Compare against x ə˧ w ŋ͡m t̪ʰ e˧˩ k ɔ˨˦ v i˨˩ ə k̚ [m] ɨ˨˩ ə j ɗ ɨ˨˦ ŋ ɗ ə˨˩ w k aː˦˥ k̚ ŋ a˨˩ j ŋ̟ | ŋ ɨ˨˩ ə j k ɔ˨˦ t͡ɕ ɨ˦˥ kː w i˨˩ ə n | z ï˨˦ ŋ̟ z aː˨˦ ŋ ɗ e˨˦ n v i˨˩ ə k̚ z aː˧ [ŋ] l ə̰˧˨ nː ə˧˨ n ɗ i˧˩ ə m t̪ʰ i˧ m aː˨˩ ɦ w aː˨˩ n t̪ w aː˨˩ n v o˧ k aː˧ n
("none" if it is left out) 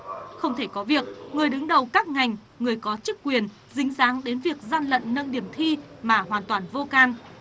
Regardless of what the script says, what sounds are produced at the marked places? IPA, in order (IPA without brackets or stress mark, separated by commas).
ŋ, n